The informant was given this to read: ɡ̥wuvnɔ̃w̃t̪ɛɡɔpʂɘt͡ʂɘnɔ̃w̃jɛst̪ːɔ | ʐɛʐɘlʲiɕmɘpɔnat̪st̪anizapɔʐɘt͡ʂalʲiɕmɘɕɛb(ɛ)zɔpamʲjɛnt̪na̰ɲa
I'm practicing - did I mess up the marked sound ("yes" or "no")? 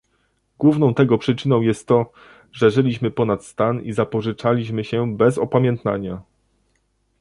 no